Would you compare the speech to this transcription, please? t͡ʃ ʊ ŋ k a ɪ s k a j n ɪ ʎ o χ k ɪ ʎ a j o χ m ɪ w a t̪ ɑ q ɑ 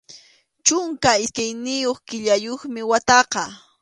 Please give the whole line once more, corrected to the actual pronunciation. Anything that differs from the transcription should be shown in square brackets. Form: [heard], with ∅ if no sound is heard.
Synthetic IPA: t͡ʃ ʊ ŋ k a ɪ s k a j n ɪ [j] o χ k ɪ ʎ a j o χ m ɪ w a t̪ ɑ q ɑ

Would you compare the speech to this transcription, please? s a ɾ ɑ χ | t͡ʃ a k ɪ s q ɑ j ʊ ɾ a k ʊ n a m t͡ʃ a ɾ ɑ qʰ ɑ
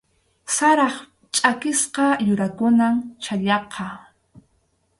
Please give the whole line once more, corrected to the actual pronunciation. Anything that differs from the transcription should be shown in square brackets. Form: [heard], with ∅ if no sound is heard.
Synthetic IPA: s a ɾ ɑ χ | [t͡ʃʼ] a k ɪ s q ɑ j ʊ ɾ a k ʊ n a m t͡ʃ a [ʎ] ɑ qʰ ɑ

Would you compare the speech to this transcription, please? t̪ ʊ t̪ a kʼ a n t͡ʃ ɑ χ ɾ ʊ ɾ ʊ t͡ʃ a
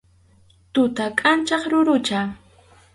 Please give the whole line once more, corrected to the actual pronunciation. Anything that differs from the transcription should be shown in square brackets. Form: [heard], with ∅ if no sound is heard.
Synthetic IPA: t̪ ʊ t̪ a kʼ a n t͡ʃ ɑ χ ɾ ʊ ɾ ʊ t͡ʃ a

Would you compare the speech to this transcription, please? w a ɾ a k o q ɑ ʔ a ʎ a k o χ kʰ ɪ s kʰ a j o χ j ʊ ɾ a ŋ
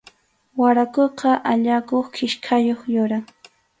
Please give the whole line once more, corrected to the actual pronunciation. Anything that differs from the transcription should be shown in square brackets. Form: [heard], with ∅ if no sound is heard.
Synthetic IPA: w a ɾ a k o q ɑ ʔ a ʎ a k o χ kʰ ɪ [ʃ] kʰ a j o χ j ʊ ɾ a ŋ

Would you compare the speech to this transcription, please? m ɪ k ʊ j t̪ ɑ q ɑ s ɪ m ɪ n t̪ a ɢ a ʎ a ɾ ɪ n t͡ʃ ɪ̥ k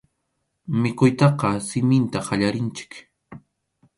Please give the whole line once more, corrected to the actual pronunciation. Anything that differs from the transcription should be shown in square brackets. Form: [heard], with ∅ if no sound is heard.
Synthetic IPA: m ɪ k ʊ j t̪ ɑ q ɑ s ɪ m ɪ n t̪ a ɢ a ʎ a ɾ ɪ n t͡ʃ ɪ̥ k

